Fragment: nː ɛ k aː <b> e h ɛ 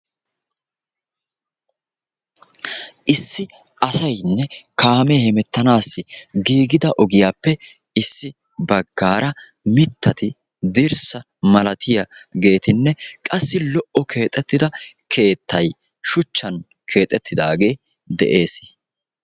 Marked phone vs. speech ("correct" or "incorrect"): incorrect